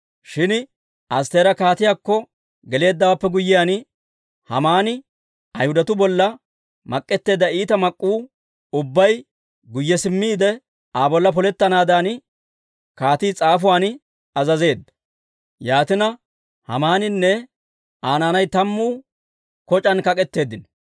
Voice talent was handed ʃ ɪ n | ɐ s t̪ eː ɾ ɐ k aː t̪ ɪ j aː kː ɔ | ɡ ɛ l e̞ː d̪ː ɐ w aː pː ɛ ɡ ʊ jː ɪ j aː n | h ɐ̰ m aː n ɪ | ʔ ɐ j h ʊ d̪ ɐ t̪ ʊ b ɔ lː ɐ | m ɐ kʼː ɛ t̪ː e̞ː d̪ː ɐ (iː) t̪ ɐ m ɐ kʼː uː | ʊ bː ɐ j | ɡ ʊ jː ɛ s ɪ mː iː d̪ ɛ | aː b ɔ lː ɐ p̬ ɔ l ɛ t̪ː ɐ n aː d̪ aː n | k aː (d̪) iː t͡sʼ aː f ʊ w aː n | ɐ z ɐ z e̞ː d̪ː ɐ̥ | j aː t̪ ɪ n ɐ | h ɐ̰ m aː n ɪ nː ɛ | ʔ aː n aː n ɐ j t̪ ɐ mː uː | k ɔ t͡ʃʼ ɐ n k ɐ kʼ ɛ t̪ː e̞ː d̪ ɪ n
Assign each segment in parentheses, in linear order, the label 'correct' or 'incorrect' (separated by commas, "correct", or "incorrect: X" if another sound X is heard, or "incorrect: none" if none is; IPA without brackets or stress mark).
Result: correct, incorrect: t̪